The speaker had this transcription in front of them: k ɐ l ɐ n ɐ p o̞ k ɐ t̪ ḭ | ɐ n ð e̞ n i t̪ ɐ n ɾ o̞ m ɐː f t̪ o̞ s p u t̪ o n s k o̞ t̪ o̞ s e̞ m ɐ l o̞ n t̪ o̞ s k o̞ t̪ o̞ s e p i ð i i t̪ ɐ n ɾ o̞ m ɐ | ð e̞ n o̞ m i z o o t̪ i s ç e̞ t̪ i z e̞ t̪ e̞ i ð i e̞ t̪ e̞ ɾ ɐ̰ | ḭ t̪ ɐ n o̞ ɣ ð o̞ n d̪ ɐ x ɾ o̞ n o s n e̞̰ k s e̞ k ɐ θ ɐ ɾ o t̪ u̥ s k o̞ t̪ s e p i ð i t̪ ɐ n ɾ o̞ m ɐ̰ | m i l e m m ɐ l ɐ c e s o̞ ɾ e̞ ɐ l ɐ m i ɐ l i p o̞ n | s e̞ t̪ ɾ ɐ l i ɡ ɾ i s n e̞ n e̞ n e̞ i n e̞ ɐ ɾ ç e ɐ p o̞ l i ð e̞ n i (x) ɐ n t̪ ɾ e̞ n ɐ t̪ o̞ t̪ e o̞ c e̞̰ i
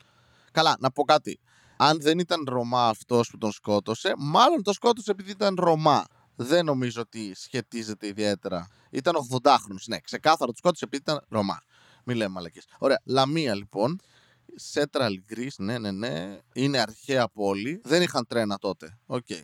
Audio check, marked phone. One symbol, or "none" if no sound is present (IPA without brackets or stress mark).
x